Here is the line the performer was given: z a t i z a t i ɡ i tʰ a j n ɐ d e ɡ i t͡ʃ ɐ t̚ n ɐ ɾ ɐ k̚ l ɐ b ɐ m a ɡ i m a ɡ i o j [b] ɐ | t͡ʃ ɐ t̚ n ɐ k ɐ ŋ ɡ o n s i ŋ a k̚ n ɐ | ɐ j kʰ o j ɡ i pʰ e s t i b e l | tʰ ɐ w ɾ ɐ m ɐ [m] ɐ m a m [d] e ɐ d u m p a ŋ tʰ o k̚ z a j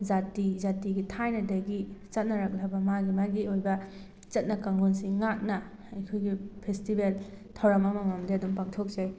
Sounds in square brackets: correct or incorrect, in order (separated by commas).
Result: correct, correct, correct